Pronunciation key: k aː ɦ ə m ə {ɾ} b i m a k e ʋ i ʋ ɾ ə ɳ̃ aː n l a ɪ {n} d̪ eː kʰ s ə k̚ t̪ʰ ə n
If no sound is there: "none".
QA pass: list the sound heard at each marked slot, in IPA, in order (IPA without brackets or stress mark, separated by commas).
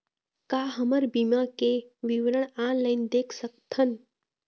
ɾ, n